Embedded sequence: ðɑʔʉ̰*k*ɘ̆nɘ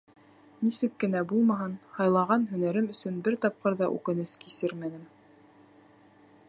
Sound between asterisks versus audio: correct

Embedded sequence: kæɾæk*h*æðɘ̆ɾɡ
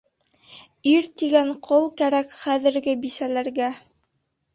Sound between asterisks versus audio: incorrect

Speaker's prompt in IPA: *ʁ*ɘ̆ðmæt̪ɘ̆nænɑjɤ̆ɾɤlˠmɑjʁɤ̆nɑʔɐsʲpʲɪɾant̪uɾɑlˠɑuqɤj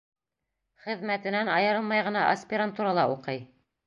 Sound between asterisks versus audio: incorrect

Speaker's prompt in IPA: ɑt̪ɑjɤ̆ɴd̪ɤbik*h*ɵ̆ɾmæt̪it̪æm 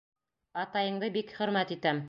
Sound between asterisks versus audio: incorrect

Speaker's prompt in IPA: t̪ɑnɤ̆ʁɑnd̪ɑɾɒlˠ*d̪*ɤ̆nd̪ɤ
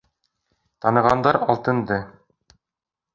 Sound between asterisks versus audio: incorrect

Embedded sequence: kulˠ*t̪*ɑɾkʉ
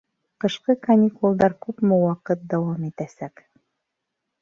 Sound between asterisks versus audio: incorrect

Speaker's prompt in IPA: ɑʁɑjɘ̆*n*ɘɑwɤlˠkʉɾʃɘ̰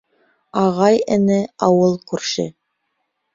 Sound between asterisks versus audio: correct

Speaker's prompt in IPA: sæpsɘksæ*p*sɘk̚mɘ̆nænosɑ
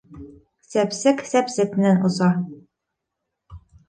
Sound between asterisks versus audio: correct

